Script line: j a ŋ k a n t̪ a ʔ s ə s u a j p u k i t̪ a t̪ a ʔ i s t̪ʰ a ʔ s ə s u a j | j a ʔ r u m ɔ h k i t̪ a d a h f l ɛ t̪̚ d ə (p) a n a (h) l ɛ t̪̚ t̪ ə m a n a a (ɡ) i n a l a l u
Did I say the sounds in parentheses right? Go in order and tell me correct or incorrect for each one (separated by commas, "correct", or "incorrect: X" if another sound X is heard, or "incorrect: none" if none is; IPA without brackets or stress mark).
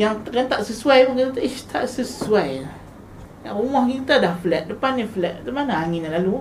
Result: correct, incorrect: f, incorrect: ŋ